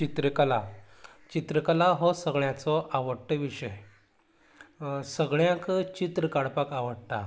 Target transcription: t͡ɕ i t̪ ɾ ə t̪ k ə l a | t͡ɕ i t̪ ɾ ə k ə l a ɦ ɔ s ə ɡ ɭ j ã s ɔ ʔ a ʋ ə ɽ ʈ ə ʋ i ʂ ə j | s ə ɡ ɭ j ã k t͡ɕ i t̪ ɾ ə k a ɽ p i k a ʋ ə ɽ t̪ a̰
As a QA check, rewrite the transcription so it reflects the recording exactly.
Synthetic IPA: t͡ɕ i t̪ ɾ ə k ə l a | t͡ɕ i t̪ ɾ ə k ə l a ɦ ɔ s ə ɡ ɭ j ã t͡s ɔ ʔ a ʋ ə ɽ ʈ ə ʋ i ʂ ə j | s ə ɡ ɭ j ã k t͡ɕ i t̪ ɾ ə k a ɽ p a k a ʋ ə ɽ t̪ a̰